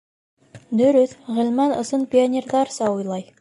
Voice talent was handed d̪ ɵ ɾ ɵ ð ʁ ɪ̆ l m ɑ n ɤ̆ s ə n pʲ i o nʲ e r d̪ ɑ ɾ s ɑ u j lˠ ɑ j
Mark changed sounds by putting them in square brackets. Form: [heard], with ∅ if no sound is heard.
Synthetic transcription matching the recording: d̪ ɵ ɾ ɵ [θ] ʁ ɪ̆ l m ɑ n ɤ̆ s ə n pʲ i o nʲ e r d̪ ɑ ɾ s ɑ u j lˠ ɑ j